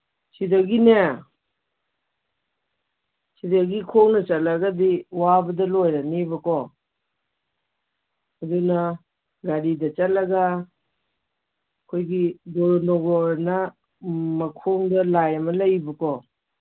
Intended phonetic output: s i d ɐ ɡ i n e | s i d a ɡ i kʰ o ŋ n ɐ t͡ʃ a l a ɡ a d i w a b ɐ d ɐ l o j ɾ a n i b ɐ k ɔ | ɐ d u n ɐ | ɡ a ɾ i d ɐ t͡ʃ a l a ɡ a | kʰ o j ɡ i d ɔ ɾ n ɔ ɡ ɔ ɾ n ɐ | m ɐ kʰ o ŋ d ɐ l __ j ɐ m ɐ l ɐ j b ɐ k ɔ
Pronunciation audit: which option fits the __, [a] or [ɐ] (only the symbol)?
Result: a